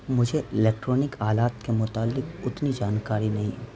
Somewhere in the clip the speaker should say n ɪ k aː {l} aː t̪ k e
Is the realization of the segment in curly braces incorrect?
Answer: no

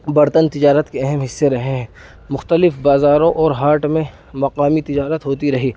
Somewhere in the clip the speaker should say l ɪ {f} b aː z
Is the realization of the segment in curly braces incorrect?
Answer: no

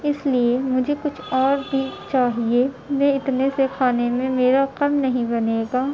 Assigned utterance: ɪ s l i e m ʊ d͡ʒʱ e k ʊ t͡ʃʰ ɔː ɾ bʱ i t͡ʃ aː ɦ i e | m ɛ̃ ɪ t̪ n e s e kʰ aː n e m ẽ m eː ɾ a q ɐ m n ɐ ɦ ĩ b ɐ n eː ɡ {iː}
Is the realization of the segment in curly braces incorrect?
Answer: yes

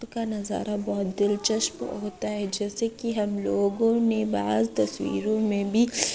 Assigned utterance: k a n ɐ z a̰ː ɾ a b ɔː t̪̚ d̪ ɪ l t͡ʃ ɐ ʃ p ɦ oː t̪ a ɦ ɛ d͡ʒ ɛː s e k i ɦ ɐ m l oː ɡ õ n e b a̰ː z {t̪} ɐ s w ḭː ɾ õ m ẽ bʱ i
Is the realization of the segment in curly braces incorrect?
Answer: no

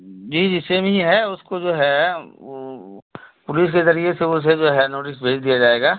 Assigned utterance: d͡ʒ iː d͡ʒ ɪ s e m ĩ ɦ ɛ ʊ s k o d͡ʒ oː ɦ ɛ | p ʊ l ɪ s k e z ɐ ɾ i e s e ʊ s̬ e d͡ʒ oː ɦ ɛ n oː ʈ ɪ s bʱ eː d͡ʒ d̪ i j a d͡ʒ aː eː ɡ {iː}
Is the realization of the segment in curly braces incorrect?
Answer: yes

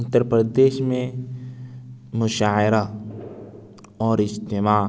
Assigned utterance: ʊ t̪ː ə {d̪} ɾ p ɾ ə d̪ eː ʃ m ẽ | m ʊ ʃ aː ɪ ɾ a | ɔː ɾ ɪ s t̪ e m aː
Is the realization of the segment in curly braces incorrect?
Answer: yes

